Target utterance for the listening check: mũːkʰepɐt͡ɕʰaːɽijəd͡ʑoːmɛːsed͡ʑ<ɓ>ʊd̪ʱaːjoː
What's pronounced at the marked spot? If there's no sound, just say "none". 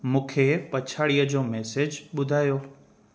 ɓ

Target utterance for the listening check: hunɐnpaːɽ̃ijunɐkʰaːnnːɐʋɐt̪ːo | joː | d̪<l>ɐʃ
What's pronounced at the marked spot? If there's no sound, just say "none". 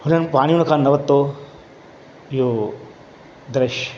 ɾ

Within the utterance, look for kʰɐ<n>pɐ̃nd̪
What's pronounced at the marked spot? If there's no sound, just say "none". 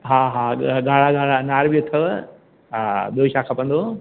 none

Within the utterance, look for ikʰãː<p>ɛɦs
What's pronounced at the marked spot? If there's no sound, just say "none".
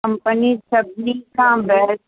b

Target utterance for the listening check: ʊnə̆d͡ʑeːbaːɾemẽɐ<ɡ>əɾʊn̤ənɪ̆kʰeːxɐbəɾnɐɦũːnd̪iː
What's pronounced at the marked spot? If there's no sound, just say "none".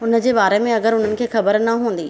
ɡ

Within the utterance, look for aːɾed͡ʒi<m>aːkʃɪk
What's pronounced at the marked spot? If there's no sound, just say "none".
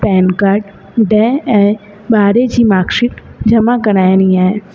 m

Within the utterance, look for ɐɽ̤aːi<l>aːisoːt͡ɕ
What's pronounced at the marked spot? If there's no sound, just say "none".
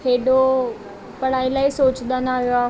l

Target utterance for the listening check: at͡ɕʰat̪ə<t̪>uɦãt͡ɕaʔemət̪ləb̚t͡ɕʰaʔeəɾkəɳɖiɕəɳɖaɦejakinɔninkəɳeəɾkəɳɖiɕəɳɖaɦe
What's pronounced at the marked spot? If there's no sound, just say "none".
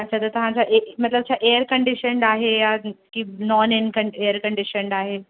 t̪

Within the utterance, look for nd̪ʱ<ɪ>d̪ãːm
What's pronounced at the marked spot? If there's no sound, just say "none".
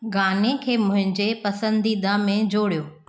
i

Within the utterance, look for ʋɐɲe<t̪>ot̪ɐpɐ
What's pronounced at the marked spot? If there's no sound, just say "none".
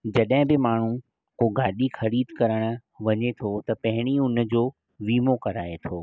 t̪ʰ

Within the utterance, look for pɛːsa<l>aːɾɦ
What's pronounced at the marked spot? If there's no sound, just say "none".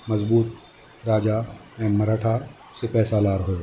l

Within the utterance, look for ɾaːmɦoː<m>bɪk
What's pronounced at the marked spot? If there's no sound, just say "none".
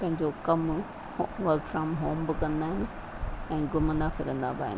m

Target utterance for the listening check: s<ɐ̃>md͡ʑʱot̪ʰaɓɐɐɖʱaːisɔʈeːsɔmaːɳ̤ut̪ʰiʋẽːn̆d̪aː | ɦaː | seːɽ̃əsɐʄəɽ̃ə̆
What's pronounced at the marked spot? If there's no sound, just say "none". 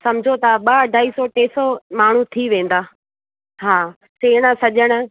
ɐ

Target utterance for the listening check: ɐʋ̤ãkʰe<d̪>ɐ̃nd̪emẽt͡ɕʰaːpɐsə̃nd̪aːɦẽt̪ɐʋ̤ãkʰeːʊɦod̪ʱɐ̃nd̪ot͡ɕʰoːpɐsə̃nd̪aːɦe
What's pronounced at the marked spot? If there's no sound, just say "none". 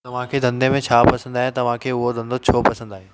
d̪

